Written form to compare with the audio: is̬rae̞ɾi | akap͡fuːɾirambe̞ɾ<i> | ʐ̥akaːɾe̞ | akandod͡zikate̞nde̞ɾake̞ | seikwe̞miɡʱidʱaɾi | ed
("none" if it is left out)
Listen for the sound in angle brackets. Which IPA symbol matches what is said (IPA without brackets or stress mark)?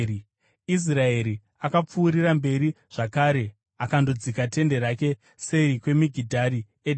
i